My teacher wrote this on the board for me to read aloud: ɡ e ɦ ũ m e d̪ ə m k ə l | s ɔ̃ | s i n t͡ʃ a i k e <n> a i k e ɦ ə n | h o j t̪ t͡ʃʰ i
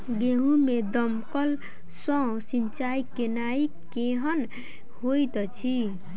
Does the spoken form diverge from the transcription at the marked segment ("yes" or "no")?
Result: no